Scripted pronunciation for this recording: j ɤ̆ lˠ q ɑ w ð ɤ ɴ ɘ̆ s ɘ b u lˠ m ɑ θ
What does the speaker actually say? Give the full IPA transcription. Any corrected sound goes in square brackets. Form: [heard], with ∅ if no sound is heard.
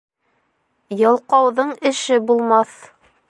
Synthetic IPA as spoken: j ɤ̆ lˠ q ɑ w ð ɤ ɴ ɘ̆ [ʃ] ɘ b u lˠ m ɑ θ